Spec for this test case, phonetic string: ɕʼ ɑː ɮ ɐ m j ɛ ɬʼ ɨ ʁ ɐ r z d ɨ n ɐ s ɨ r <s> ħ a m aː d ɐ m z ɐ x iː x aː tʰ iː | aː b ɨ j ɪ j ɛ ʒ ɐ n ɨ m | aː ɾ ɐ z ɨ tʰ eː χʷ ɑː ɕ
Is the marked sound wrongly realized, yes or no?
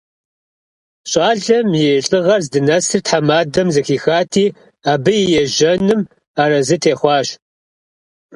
yes